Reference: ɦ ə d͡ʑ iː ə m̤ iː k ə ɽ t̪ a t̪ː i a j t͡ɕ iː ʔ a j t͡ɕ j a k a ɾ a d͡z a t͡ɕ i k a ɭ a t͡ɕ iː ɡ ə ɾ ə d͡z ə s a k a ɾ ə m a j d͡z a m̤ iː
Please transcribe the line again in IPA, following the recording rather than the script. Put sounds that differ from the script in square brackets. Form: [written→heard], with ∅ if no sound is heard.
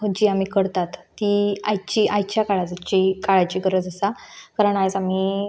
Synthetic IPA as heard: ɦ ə d͡ʑ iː [ə→a] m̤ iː k ə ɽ t̪ a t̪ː i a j t͡ɕ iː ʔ a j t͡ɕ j a k a [ɾ→ɭ] a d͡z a t͡ɕ i k a ɭ a t͡ɕ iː ɡ ə ɾ ə d͡z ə s a k a ɾ ə [m→ɳ] a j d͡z a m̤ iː